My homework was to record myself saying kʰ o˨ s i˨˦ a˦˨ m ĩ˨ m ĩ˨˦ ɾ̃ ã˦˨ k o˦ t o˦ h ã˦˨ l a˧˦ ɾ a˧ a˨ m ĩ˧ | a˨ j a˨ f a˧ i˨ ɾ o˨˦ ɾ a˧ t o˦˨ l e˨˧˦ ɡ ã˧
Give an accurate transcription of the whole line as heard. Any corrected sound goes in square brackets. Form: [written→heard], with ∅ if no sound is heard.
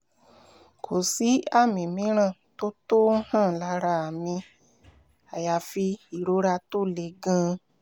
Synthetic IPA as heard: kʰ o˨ s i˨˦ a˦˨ m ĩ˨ m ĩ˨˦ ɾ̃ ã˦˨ [k→t] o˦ t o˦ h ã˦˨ l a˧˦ ɾ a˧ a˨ m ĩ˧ | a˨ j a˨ f [a˧→i˧] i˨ ɾ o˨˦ ɾ a˧ t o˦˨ l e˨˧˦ ɡ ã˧